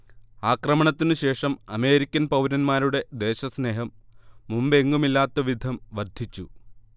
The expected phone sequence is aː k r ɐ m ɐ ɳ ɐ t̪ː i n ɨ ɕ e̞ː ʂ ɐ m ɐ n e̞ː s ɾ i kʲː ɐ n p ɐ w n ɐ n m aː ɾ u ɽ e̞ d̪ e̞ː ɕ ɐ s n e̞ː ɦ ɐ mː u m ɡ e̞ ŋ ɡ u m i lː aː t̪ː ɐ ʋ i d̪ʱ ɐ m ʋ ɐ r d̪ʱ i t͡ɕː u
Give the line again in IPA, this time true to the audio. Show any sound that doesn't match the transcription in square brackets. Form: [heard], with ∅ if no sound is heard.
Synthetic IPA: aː k r ɐ m ɐ ɳ ɐ t̪ː i n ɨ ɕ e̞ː ʂ ɐ m ɐ [m] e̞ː [∅] ɾ i kʲː ɐ n p ɐ w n ɐ n m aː ɾ u ɽ e̞ d̪ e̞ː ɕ ɐ s n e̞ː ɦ ɐ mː u m [b] e̞ ŋ ɡ u m i lː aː t̪ː ɐ ʋ i d̪ʱ ɐ m ʋ ɐ r d̪ʱ i t͡ɕː u

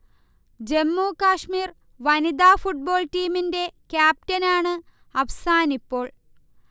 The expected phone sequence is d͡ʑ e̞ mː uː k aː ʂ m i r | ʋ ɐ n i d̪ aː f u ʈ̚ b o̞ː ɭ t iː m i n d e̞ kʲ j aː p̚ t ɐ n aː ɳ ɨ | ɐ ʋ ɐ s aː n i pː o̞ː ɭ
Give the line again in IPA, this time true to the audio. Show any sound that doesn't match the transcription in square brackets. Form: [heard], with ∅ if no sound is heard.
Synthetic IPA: d͡ʑ e̞ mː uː k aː ʂ m [iː] r | ʋ ɐ n i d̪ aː f u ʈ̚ b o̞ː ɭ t iː m i n d e̞ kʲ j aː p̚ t ɐ n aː ɳ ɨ | ɐ ʋ ɐ s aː n i pː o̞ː ɭ

